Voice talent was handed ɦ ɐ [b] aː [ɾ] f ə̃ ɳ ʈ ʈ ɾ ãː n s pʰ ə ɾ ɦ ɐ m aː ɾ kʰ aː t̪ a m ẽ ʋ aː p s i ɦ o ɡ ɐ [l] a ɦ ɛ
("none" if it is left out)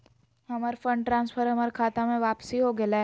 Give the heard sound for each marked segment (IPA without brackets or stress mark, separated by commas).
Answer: m, ɾ, l